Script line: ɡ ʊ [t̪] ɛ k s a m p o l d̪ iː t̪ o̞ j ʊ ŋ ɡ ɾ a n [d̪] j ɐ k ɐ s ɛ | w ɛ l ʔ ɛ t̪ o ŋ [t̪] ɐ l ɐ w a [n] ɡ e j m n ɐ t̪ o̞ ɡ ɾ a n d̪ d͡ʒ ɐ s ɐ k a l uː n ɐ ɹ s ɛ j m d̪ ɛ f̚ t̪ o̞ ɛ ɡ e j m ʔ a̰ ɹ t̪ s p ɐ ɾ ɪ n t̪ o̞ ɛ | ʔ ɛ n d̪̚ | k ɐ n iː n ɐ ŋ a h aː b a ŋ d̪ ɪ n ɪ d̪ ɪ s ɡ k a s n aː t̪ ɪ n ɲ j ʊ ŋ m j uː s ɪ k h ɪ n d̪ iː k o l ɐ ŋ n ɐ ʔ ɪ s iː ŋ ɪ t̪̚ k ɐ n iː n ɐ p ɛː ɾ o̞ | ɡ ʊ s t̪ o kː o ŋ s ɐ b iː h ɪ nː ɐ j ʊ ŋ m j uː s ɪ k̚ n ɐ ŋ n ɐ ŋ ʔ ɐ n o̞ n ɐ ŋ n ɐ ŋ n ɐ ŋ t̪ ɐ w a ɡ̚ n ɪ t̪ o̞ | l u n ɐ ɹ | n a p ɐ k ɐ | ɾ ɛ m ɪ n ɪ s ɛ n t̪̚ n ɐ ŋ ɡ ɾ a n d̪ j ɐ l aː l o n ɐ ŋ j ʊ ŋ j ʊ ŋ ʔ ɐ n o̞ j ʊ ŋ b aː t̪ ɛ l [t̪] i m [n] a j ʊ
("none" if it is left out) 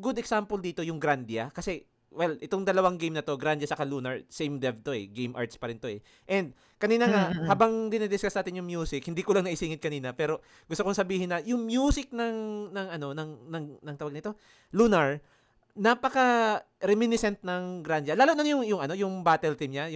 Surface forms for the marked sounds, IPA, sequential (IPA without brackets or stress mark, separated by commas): d̪, d̪, d̪, ŋ, t̪, ɲ